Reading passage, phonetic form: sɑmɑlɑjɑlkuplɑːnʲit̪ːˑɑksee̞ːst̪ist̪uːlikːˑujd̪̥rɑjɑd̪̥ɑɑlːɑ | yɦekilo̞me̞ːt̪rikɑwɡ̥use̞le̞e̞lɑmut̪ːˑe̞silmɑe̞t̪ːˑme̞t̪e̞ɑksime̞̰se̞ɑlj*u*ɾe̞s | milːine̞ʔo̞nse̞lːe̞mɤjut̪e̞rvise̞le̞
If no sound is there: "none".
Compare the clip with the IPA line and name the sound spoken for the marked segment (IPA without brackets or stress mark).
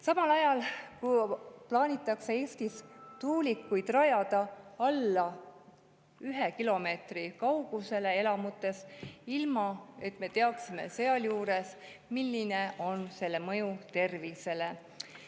uː